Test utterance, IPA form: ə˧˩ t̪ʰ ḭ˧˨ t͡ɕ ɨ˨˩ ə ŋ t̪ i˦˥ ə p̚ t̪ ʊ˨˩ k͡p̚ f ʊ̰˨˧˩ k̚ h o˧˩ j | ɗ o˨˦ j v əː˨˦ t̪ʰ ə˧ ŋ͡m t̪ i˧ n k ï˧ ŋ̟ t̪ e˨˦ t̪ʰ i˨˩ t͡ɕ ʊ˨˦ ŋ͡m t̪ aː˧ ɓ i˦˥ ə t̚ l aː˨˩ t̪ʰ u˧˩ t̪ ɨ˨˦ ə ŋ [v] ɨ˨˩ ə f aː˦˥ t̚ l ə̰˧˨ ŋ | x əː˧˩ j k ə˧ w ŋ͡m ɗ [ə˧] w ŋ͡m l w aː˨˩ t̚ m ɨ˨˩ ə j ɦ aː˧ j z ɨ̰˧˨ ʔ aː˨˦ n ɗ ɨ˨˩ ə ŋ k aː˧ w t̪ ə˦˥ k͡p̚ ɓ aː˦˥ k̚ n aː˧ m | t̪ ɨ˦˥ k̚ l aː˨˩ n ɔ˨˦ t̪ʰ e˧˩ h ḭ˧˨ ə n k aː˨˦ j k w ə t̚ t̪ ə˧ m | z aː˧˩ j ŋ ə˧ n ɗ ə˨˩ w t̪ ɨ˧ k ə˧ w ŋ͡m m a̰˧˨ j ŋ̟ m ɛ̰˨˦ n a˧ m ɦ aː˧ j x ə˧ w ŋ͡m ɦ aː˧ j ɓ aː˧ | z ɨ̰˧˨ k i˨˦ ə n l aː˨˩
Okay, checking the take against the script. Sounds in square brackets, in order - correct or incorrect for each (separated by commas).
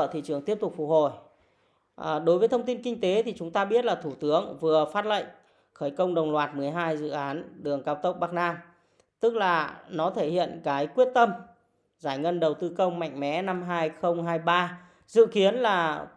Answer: correct, incorrect